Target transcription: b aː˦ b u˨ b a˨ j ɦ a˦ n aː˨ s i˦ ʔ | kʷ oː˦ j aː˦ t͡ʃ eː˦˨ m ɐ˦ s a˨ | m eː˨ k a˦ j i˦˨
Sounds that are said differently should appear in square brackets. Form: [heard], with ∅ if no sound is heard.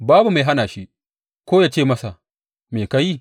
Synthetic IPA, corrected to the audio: b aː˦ b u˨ [m] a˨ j ɦ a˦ n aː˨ [ʃ] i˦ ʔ | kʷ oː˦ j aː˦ t͡ʃ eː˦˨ m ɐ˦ s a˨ | m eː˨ k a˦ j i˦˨